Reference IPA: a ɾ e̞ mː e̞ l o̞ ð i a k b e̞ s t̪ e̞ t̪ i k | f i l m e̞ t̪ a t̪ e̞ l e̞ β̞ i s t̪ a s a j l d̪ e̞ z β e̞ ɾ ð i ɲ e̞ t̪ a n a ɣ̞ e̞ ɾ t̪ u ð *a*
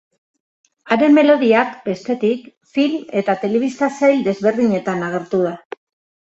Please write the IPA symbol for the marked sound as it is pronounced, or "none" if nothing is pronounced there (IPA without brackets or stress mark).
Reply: a